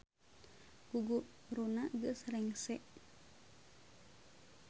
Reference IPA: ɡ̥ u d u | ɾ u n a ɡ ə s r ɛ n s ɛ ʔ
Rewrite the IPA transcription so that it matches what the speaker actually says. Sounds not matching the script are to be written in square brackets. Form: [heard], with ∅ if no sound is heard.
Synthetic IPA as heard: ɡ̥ u [ɡ] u | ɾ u n a ɡ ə s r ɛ [ŋ] s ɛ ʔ